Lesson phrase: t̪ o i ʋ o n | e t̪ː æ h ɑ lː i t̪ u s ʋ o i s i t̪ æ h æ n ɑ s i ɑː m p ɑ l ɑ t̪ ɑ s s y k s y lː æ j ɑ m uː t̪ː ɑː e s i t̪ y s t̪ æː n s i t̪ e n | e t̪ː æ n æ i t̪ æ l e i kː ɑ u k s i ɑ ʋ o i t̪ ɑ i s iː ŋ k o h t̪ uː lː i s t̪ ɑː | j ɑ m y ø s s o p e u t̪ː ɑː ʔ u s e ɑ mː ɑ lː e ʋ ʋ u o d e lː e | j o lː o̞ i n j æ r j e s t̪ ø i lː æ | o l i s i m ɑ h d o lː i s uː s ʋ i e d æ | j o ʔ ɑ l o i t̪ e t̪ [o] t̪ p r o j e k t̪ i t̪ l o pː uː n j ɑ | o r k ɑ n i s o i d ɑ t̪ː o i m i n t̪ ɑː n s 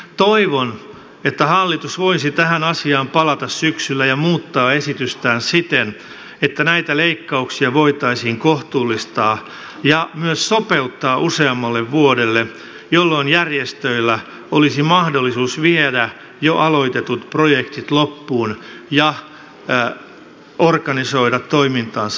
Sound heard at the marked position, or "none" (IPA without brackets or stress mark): u